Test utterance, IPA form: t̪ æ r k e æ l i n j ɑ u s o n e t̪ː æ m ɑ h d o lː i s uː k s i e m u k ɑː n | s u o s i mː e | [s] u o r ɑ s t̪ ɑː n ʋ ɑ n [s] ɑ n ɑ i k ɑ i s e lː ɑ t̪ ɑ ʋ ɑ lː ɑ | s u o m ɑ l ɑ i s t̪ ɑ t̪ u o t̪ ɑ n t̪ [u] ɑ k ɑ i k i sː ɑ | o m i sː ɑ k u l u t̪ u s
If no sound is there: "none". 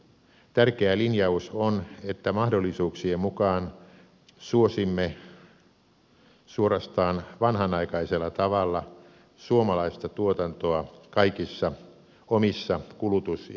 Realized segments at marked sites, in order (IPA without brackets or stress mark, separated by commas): s, h, o